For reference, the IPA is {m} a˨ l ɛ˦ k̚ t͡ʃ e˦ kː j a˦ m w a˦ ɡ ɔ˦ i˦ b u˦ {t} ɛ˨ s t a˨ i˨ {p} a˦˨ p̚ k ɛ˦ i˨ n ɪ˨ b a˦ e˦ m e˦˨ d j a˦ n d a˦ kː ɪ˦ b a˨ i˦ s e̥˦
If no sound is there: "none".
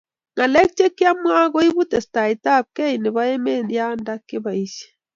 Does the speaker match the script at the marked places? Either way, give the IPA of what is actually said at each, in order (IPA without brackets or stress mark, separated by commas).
ŋ, t, t